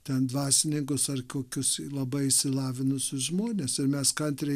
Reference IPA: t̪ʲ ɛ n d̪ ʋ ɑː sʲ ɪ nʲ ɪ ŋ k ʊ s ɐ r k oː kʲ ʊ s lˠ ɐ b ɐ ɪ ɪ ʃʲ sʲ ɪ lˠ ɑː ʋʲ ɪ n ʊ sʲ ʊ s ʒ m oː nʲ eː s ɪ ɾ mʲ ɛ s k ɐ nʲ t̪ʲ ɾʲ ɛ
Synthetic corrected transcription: t̪ʲ ɛ n d̪ ʋ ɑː sʲ ɪ nʲ ɪ ŋ k ʊ s ɐ r k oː kʲ ʊ s lˠ ɐ b ɐ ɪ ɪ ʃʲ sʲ ɪ lˠ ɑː ʋʲ ɪ n ʊ sʲ ʊ s ʒ m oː nʲ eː s ɪ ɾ mʲ ɛ s k ɐ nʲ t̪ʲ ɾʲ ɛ